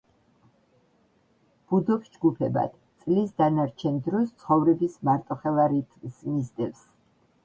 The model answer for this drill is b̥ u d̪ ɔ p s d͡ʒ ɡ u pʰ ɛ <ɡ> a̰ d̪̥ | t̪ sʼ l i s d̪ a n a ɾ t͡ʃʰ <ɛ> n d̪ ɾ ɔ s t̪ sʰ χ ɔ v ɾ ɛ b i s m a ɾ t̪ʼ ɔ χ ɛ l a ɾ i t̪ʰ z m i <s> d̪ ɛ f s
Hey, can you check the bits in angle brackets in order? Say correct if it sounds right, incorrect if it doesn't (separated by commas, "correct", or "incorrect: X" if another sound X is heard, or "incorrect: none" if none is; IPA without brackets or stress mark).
incorrect: b, correct, incorrect: z